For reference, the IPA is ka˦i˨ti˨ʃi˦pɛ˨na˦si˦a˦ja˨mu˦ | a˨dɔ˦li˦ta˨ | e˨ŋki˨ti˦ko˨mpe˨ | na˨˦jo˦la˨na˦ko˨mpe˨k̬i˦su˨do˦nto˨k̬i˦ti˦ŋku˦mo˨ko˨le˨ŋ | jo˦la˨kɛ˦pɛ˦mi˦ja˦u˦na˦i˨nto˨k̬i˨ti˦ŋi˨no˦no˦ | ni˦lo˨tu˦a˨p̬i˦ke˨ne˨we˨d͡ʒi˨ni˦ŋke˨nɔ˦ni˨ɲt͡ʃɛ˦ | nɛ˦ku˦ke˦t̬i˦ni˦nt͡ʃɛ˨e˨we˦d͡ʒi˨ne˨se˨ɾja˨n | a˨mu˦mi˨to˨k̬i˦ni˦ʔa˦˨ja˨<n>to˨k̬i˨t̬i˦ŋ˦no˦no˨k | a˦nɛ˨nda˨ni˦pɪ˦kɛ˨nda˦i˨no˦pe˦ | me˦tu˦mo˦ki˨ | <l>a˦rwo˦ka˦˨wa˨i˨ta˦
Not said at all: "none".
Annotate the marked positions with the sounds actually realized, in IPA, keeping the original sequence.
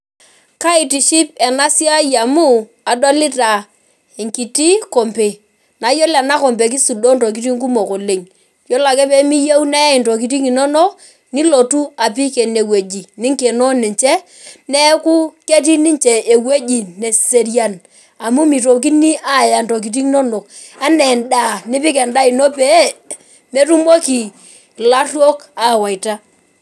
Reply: n, l

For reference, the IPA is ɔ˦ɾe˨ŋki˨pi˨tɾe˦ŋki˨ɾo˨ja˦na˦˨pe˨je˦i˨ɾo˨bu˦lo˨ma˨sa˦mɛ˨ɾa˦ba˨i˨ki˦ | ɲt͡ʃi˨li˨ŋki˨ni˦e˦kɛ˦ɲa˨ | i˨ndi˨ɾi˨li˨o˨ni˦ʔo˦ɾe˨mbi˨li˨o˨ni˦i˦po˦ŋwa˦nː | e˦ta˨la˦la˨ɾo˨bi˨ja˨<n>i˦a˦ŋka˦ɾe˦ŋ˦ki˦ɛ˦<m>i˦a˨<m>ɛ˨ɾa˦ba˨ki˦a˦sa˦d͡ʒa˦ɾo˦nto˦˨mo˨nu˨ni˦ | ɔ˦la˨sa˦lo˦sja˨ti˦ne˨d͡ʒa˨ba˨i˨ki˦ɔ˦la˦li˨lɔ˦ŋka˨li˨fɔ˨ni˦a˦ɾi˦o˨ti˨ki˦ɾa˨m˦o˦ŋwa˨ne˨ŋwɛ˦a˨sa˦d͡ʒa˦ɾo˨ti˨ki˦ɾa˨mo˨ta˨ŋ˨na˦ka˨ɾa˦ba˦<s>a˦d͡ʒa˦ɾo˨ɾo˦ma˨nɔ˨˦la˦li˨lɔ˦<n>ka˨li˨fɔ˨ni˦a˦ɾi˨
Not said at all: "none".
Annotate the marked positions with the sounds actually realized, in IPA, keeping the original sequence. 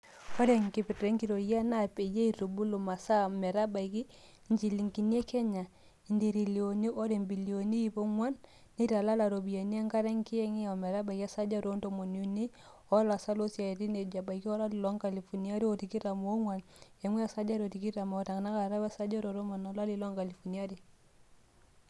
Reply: n, ŋ, m, s, ŋ

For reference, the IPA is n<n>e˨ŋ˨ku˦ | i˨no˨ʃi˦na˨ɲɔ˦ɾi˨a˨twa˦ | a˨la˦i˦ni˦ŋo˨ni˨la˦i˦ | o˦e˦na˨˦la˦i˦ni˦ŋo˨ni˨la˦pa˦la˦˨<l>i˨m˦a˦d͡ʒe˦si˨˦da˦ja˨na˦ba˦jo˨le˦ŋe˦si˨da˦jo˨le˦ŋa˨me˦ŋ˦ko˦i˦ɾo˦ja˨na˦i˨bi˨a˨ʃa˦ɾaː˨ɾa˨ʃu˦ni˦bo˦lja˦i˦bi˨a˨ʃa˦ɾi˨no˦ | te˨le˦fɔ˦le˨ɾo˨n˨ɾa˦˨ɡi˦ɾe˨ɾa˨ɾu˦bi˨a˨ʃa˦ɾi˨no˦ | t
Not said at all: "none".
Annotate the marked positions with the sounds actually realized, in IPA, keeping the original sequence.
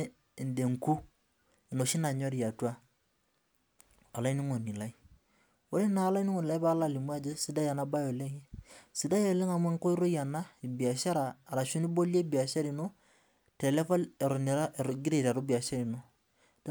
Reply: d, l

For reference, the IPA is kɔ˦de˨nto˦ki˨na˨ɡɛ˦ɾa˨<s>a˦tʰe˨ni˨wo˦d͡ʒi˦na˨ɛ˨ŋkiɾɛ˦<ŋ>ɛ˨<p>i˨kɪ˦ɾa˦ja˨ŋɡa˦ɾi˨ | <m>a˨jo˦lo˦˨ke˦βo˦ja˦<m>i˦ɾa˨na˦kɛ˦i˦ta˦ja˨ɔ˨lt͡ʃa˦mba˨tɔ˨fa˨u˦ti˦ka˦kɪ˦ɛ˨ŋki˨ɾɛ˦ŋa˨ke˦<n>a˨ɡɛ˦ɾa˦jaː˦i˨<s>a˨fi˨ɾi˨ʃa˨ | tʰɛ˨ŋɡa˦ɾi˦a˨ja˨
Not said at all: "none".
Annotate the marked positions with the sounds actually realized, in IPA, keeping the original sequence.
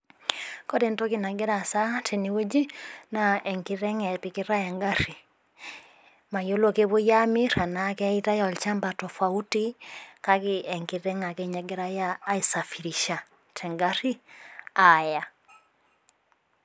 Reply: s, ŋ, p, m, m, ɲ, s

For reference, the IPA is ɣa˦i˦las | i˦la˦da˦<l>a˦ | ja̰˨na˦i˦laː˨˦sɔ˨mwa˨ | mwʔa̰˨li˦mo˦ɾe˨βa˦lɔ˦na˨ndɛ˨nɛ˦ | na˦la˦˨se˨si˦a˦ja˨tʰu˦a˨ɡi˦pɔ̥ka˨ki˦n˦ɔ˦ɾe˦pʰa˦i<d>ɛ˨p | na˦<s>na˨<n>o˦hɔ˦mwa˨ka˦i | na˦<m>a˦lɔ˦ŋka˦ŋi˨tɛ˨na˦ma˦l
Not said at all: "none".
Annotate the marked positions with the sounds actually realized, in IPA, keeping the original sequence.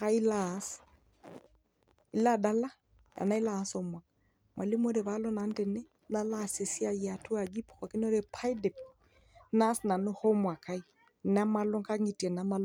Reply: l, d, s, n, m

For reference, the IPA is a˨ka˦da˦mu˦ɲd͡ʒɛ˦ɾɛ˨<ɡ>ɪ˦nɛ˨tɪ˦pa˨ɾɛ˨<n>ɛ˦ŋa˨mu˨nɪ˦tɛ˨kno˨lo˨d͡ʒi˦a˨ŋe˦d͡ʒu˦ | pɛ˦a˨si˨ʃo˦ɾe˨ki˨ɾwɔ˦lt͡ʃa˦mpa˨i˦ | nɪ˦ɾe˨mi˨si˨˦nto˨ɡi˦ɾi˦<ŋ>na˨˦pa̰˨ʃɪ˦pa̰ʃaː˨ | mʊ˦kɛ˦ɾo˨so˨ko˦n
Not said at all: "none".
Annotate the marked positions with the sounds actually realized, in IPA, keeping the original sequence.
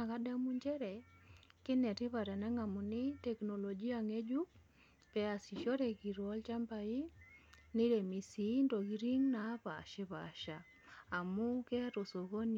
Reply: k, n, ŋ

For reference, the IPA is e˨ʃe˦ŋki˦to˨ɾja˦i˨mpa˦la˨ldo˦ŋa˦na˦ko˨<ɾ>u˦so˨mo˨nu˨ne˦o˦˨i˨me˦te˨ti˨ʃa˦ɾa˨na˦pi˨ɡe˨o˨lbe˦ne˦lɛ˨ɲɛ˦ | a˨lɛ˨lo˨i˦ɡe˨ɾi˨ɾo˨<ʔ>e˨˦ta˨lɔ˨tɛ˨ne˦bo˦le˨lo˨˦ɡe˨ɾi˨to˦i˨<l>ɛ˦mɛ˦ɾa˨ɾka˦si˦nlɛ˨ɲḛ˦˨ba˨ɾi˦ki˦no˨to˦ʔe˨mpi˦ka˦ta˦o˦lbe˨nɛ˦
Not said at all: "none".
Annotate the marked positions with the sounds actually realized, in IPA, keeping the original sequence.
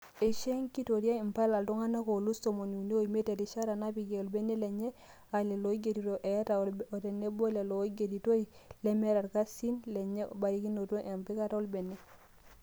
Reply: l, ʔ, l

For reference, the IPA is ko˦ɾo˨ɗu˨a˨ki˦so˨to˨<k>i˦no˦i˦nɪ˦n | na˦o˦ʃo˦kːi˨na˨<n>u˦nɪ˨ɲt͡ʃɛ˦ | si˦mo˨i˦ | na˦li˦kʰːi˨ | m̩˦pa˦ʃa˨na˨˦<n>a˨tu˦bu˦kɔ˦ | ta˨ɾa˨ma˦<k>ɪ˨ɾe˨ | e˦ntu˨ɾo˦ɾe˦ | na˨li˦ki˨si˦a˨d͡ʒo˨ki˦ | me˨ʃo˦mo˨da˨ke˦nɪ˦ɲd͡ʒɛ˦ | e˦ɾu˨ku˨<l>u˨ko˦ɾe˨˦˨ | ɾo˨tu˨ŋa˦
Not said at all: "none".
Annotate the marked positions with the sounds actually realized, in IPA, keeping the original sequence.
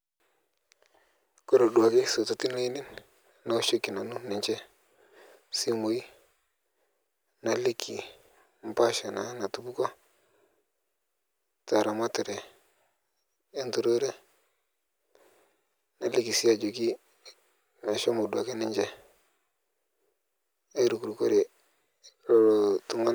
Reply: t, n, n, t, ɾ

